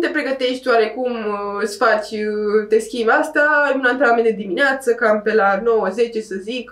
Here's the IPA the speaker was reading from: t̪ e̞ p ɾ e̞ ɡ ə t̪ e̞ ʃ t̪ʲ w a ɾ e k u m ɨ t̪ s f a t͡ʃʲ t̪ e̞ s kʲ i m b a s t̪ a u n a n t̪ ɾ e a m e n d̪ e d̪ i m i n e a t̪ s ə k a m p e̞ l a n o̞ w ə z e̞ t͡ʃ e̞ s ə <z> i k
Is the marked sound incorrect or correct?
correct